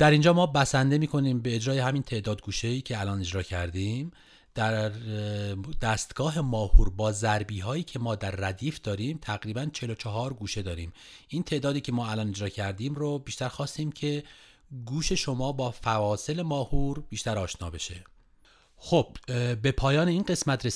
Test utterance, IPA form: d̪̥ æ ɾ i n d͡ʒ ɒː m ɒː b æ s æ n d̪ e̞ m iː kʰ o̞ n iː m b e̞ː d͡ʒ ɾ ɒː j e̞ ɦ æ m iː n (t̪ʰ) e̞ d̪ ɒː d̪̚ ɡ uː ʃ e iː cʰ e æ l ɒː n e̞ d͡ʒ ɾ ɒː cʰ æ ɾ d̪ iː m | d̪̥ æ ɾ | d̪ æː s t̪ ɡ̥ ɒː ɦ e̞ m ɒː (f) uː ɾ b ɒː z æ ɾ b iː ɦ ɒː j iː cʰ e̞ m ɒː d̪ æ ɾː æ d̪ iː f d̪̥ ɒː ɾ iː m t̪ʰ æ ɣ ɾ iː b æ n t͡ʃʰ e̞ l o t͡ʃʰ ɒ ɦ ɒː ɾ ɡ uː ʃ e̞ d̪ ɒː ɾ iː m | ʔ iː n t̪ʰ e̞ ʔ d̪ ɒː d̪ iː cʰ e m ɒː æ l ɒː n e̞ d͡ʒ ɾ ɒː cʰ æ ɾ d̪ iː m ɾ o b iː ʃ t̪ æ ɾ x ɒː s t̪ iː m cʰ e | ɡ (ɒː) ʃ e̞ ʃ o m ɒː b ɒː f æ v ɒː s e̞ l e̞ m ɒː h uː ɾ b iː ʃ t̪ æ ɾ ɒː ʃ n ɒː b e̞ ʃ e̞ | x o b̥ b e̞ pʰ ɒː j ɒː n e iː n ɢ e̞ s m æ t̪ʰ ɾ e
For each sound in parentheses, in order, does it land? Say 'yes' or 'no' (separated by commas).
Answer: yes, no, no